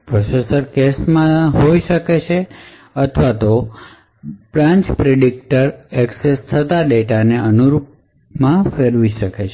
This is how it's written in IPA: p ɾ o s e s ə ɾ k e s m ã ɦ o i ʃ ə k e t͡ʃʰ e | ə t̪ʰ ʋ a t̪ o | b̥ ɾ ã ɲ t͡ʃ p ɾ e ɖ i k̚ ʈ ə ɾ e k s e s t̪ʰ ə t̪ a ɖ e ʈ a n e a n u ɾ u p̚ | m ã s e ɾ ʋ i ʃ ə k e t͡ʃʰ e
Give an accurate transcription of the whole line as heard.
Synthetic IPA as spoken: p ɾ o s e s ə ɾ k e s m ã ɦ o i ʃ ə k e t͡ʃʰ e | ə t̪ʰ ʋ a t̪ o | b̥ ɾ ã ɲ t͡ʃ p ɾ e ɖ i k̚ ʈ ə ɾ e k s e s t̪ʰ ə t̪ a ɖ e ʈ a n e ə n u ɾ u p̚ | m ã f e ɾ ʋ i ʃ ə k e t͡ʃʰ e

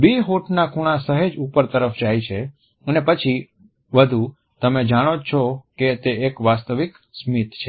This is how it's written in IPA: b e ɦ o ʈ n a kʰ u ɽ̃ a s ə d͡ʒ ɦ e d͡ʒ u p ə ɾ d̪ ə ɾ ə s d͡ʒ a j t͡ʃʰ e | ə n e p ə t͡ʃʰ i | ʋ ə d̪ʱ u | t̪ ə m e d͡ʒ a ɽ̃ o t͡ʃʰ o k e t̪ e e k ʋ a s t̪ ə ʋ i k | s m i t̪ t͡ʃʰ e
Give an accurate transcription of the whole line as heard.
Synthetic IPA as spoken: b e ɦ o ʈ n a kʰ u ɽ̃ a s ə ɦ e d͡ʒ u p ə ɾ t̪ ə ɾ ə f d͡ʒ a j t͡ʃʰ e | ə n e p ə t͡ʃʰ i | ʋ ə d̪ʱ u | t̪ ə m e d͡ʒ a ɽ̃ o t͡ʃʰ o k e t̪ e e k ʋ a s t̪ ə ʋ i k | s m i t̪ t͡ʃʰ e

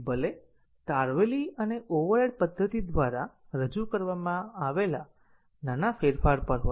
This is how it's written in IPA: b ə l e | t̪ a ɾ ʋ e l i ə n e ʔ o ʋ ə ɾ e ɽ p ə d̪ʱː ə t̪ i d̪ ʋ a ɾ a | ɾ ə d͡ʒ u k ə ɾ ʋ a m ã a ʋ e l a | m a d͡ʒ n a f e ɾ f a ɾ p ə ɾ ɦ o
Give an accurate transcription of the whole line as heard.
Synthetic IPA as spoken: b ə l e | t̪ a ɾ ʋ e l i ə n e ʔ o ʋ ə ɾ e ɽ p ə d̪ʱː ə t̪ i d̪ ʋ a ɾ a | ɾ ə d͡ʒ u k ə ɾ ʋ a m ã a ʋ e l a | n a n a f e ɾ f a ɾ p ə ɾ ɦ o

